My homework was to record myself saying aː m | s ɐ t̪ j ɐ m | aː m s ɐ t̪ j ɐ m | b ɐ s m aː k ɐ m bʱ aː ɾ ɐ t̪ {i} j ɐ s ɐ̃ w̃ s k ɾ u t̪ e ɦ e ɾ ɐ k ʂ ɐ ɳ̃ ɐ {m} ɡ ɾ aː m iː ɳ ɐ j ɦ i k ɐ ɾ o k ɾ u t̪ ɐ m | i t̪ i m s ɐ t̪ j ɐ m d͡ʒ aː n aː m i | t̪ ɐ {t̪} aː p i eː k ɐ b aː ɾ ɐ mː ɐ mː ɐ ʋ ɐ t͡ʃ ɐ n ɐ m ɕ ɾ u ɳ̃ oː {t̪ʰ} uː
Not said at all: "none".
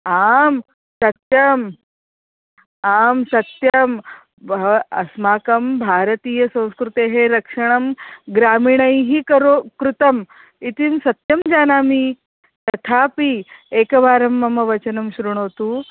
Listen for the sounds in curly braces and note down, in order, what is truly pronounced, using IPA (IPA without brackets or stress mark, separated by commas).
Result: iː, m, t̪ʰ, t̪